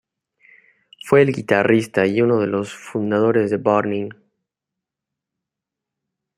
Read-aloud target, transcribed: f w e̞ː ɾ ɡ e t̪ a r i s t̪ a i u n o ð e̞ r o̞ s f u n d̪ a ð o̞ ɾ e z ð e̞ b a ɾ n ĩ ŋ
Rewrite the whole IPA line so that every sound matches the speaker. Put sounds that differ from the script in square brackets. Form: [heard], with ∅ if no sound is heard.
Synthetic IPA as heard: f w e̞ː [l] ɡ [i] t̪ a r i s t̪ a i u n o ð e̞ [l] o̞ s f u n d̪ a ð o̞ ɾ e z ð e̞ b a ɾ n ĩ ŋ